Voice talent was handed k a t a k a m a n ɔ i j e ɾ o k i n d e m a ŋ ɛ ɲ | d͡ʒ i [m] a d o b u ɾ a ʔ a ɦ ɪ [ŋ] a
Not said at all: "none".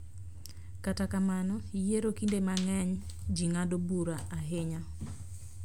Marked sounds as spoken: ŋ, ɲ

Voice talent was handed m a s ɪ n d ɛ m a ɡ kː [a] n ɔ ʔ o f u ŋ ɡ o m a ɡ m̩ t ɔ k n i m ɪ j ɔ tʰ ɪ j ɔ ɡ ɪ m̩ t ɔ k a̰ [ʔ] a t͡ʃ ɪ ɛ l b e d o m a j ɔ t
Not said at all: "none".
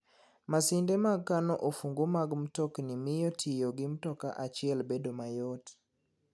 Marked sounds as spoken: a, ʔ

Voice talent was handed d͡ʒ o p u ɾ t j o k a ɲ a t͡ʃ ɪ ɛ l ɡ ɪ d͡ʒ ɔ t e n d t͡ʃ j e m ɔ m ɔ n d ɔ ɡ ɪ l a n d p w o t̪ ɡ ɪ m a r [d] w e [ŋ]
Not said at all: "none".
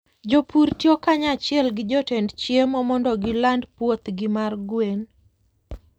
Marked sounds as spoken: ɡ, n

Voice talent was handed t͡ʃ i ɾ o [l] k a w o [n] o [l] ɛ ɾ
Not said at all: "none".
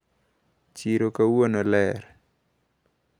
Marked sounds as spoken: none, n, l

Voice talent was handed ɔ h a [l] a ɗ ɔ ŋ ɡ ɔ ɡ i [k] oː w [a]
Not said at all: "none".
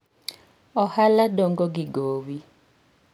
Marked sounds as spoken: l, ɡ, i

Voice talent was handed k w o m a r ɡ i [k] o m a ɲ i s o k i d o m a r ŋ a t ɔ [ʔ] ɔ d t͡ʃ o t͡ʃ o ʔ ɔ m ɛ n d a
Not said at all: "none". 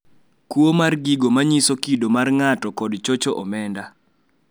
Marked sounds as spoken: ɡ, k

